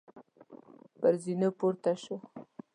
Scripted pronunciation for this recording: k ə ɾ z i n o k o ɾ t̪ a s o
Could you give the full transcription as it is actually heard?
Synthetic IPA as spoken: p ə ɾ z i n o p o ɾ t̪ a ʃ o